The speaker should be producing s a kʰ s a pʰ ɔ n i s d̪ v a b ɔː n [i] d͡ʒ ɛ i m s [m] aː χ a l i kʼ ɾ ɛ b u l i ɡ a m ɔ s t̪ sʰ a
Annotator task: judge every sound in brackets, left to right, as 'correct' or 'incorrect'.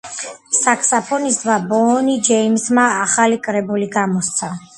correct, correct

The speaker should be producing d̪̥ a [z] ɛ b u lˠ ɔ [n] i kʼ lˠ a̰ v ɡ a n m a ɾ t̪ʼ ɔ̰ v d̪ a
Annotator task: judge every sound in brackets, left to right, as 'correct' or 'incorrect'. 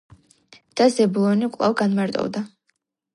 correct, correct

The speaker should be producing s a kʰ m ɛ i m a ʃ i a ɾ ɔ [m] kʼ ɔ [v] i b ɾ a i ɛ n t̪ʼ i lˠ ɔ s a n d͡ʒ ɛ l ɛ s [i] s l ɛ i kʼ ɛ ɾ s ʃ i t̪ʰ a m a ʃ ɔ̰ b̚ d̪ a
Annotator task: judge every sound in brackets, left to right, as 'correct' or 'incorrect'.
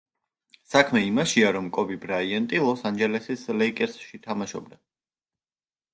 correct, incorrect: b, correct

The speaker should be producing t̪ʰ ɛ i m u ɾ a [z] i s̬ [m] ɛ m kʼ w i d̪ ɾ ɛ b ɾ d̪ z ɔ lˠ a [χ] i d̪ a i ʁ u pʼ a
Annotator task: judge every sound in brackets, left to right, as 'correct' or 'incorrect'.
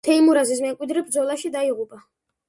correct, correct, incorrect: ʃ

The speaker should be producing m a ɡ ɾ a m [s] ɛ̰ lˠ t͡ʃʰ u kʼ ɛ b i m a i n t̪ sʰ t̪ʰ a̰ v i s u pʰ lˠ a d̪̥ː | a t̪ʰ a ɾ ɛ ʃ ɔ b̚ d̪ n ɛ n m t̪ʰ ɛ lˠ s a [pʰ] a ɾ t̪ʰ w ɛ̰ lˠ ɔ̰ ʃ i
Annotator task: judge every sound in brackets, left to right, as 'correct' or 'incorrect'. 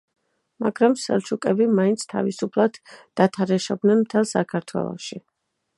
correct, incorrect: kʰ

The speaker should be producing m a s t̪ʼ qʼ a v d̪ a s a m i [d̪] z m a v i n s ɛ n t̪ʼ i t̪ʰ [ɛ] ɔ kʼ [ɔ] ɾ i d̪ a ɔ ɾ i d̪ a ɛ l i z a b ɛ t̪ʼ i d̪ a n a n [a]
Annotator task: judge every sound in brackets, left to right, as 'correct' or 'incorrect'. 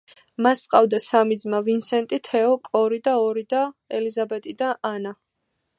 correct, correct, correct, correct

